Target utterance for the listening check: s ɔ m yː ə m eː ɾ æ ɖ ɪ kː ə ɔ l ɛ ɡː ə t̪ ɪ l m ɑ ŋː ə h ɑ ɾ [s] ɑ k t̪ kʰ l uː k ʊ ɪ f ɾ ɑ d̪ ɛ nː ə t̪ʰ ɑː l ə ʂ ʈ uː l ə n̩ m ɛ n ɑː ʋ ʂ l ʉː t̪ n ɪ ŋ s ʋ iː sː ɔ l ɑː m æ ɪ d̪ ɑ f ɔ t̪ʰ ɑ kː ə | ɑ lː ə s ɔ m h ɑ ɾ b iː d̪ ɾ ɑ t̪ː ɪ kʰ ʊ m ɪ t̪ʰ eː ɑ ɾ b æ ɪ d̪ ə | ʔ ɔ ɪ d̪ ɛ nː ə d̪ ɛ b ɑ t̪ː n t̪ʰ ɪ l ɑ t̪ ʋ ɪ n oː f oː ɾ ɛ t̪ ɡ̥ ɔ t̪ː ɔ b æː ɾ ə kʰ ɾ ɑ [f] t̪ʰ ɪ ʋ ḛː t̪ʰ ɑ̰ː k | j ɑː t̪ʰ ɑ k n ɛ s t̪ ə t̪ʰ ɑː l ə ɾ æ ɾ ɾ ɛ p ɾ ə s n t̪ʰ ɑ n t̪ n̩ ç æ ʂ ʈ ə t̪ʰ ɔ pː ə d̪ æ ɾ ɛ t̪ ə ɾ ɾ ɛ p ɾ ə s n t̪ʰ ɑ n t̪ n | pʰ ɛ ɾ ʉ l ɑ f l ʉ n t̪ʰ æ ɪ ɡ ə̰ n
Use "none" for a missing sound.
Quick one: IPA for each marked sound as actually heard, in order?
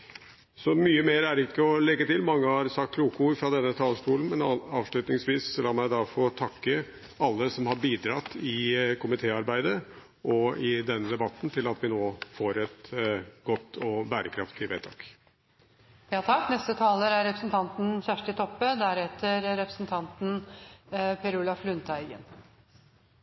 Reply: s, f

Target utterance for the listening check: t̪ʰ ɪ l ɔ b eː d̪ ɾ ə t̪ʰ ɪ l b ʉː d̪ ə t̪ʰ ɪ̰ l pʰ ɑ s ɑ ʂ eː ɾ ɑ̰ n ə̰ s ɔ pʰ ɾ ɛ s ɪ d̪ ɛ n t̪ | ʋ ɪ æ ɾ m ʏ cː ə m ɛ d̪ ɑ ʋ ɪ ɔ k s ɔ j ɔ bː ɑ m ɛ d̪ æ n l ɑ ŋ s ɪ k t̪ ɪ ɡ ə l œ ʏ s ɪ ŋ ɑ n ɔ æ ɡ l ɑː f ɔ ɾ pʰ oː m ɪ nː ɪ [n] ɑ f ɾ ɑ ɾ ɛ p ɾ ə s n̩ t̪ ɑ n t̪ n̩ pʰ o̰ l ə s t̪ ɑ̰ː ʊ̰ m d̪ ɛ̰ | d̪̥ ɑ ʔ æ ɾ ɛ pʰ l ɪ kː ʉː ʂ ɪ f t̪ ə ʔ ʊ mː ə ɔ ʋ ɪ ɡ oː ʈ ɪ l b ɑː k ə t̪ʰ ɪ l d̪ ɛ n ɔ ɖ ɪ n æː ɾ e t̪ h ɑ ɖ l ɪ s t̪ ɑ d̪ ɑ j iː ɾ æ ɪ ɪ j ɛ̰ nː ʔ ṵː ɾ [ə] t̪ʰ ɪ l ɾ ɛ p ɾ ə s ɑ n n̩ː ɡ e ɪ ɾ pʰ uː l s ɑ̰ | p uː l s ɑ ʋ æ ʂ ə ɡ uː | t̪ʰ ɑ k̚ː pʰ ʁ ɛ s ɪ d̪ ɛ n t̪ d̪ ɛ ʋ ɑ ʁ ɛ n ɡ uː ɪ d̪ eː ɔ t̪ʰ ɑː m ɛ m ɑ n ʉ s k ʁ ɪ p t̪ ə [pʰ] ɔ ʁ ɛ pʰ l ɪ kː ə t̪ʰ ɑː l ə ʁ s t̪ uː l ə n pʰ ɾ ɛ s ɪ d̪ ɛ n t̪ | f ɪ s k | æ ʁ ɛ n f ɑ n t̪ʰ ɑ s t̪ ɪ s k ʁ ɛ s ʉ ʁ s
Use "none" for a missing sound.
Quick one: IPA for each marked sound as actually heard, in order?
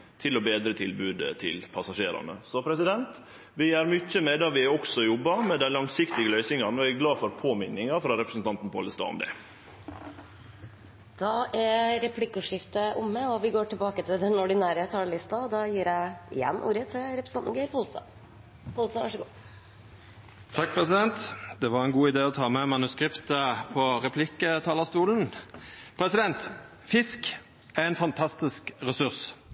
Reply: ŋ, ə, pʰ

